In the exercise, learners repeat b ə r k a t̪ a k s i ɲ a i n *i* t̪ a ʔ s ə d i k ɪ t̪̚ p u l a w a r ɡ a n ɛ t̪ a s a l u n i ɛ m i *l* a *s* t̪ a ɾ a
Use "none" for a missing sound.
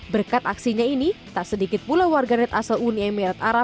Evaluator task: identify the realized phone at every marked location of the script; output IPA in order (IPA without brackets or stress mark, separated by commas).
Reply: i, ɾ, none